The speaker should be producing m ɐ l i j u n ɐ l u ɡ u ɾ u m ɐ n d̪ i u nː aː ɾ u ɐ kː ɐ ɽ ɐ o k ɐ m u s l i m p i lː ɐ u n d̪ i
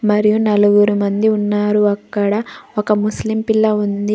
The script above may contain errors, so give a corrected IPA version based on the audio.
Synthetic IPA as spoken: m ɐ ɾ i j u n ɐ l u ɡ u ɾ u m ɐ n d̪ i u nː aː ɾ u ɐ kː ɐ ɽ ɐ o k ɐ m u s l i m p i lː ɐ u n d̪ i

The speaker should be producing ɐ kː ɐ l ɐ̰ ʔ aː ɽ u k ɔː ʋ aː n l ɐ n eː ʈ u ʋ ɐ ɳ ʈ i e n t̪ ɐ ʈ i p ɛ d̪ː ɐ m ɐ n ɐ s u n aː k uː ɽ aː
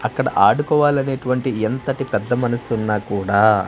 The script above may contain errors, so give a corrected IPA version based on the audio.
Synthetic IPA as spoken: ɐ kː ɐ ɽ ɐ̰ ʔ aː ɽ u k ɔː ʋ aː l ɐ n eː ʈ u ʋ ɐ ɳ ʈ i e n t̪ ɐ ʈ i p ɛ d̪ː ɐ m ɐ n ɐ s u nː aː k uː ɽ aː

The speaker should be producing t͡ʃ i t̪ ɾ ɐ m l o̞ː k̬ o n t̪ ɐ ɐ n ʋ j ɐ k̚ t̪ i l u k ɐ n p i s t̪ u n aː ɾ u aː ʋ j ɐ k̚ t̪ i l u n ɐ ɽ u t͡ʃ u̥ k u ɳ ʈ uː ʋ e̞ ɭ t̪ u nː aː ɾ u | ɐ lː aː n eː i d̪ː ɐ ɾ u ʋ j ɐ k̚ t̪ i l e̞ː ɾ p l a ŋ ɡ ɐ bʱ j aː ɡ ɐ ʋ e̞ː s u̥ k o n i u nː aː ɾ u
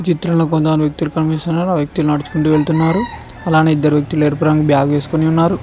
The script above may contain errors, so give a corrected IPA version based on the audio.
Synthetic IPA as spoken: t͡ʃ i t̪ ɾ ɐ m l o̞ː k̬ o n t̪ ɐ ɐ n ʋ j ɐ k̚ t̪ i l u k ɐ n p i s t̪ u n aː ɾ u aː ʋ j ɐ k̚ t̪ i l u n ɐ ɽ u t͡ʃ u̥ k u ɳ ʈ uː ʋ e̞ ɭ t̪ u nː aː ɾ u | ɐ l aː n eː i d̪ː ɐ ɾ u ʋ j ɐ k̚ t̪ i l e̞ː ɾ p ɾ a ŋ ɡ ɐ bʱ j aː ɡ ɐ ʋ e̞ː s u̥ k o n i u nː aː ɾ u

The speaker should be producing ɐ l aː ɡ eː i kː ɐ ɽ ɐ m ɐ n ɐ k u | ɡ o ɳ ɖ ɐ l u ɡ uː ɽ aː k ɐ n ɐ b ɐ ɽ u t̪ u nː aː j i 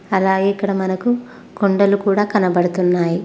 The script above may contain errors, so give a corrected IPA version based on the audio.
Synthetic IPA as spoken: ɐ l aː ɡ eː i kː ɐ ɽ ɐ m ɐ n ɐ k u | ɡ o ɳ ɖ ɐ l u k uː ɽ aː k ɐ n ɐ b ɐ ɽ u t̪ u nː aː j i

